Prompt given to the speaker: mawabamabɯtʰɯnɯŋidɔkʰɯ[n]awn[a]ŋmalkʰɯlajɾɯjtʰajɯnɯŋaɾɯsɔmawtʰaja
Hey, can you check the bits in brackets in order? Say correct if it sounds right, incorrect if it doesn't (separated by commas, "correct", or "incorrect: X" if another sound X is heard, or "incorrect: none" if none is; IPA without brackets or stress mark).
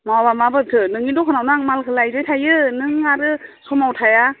correct, correct